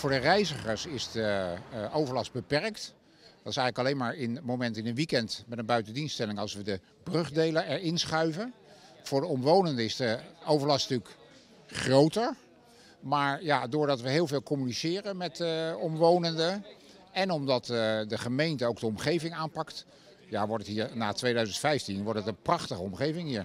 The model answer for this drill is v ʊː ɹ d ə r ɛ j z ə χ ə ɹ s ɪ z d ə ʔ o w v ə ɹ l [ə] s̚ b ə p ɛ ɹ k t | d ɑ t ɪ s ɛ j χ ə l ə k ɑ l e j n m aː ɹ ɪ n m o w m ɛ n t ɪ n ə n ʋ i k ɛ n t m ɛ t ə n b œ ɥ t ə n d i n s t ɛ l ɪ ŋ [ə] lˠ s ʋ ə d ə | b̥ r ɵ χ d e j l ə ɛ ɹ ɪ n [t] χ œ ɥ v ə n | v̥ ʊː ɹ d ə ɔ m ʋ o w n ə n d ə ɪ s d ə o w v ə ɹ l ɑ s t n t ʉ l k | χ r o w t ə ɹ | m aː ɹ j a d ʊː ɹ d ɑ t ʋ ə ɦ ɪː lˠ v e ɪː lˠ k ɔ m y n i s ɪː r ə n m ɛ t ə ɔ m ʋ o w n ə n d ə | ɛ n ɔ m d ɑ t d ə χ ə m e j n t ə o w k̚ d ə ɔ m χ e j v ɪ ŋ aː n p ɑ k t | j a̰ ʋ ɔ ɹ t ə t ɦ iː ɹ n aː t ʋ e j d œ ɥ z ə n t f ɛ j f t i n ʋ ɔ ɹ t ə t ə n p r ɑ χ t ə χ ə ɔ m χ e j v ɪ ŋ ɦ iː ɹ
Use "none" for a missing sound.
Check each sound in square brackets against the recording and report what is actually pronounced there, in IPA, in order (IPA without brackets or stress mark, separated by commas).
ɑ, ɑ, s